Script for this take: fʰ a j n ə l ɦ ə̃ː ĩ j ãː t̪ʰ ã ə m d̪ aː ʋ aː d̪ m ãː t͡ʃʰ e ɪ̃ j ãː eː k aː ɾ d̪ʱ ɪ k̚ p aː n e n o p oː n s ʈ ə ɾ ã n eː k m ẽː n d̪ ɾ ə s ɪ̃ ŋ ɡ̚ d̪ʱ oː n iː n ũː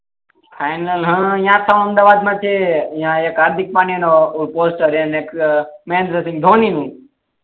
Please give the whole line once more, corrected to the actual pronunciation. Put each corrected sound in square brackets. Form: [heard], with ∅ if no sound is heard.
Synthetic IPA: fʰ a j n ə l ɦ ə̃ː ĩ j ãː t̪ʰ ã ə m d̪ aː ʋ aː d̪ m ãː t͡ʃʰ e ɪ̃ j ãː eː k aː ɾ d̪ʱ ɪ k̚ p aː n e n o p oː [∅] s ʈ ə ɾ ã n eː k m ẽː n d̪ ɾ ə s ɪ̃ ŋ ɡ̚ d̪ʱ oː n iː n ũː